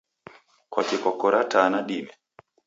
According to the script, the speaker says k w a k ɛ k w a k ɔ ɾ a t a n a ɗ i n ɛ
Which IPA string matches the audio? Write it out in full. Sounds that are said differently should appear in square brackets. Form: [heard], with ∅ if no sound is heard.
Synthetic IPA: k w a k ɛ k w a k ɔ ɾ a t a n a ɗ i [m] ɛ